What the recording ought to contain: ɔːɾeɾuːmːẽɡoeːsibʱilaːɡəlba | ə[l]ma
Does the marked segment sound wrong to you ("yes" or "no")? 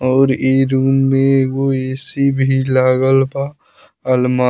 no